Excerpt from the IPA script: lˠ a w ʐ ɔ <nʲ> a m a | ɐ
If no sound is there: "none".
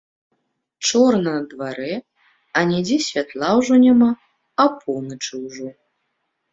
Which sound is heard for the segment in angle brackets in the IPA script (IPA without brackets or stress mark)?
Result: nʲ